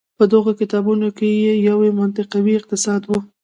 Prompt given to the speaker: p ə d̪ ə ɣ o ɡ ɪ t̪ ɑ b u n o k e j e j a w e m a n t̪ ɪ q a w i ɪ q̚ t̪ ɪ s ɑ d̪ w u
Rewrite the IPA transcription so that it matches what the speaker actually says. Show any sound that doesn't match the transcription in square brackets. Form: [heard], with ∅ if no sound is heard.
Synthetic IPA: p ə d̪ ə ɣ o [k] ɪ t̪ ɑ b u n o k e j e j a w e m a n t̪ ɪ q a w i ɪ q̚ t̪ ɪ s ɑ d̪ w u

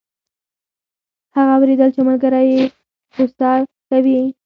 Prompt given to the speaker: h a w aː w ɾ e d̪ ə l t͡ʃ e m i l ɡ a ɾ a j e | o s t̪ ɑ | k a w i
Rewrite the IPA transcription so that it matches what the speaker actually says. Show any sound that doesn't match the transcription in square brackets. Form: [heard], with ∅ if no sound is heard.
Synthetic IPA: h a [ɣ] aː w ɾ e d̪ ə l t͡ʃ e m [a] l ɡ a ɾ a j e | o s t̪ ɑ | k a w i

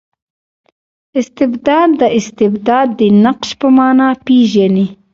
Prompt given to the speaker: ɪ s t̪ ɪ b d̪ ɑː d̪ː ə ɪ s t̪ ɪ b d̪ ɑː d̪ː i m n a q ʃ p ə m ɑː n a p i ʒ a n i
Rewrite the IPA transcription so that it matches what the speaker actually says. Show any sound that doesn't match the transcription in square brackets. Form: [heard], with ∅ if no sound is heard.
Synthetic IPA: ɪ s t̪ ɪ b d̪ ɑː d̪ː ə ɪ s t̪ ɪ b d̪ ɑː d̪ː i [∅] n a q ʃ p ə m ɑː n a p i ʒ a n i

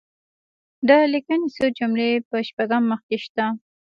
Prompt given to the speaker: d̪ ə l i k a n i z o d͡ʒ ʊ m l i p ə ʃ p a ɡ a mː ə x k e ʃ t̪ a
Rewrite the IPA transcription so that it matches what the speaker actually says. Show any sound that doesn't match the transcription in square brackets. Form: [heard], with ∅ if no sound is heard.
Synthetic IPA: d̪ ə l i k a n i [s] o d͡ʒ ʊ m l [e] p ə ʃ p a ɡ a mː ə x k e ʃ t̪ a

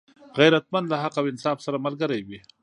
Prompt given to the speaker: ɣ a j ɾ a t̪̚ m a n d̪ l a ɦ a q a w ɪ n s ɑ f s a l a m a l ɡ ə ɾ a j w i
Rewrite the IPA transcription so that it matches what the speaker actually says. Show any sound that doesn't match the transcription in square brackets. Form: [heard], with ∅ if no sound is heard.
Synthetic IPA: ɣ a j ɾ a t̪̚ m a n d̪ l a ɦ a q a w ɪ n s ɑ f s a [ɾ] a m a l ɡ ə ɾ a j w i

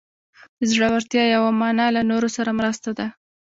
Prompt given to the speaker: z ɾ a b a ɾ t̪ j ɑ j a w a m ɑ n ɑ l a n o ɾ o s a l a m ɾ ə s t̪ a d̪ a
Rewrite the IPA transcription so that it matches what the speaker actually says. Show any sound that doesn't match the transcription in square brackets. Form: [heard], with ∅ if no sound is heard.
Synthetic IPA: z [ɽ] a [w] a ɾ t̪ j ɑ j a w a m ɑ n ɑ l a n o ɾ o s a [ɾ] a m ɾ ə s t̪ a d̪ a

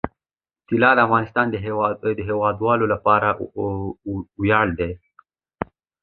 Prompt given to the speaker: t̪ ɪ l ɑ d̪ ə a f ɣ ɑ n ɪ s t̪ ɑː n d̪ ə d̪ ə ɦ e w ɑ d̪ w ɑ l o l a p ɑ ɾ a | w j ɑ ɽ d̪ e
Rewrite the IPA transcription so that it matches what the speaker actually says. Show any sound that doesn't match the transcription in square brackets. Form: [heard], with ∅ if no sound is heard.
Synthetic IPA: t̪ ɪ l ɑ d̪ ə a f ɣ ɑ n ɪ s t̪ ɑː n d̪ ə d̪ ə ɦ e w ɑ d̪ w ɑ l o l a p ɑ ɾ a | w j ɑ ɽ d̪ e

